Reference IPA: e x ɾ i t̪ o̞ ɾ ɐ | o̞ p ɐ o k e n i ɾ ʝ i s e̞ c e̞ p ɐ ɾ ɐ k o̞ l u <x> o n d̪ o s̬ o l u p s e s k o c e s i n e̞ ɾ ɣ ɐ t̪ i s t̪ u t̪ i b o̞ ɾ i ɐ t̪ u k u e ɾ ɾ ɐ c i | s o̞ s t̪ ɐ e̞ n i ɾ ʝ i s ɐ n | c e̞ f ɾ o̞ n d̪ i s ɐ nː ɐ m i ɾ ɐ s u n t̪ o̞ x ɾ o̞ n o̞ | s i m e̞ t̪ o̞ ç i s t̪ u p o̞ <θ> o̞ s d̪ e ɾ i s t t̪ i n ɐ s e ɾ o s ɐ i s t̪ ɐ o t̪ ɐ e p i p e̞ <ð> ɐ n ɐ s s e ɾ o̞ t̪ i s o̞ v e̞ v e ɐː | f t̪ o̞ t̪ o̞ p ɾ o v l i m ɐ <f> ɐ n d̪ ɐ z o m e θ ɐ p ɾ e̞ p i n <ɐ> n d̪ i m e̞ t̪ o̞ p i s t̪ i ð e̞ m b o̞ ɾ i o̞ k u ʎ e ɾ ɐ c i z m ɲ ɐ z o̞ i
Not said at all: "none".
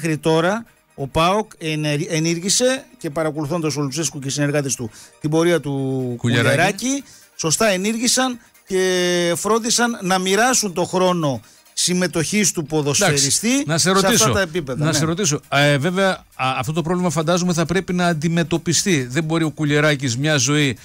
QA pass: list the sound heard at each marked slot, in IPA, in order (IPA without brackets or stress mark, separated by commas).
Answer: θ, ð, ð, f, ɐː